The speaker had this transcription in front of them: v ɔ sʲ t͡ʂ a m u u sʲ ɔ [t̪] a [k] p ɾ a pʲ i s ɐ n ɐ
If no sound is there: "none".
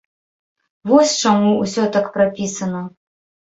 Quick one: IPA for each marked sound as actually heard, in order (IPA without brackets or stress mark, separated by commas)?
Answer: t̪, k